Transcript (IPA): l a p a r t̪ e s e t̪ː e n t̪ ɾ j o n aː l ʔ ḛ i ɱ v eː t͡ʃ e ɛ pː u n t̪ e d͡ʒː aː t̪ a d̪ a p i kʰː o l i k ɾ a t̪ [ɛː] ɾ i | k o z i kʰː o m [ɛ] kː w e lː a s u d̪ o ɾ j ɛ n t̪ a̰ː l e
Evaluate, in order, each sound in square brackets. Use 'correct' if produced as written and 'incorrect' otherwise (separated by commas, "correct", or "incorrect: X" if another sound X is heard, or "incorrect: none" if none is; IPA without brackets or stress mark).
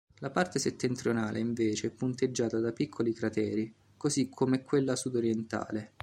correct, correct